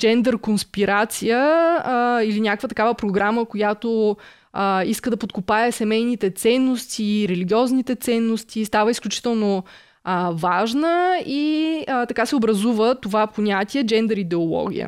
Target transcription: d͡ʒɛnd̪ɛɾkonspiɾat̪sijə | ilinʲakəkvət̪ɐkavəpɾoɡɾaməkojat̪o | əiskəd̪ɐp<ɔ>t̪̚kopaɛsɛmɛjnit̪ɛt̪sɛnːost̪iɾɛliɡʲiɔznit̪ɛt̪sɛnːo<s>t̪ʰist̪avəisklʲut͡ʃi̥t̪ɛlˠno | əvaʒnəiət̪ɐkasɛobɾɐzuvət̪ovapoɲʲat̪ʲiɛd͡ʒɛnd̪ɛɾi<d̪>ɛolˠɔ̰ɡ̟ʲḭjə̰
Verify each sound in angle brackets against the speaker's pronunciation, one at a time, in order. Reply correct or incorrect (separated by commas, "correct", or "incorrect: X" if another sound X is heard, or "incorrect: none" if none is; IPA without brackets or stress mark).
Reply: incorrect: o, correct, correct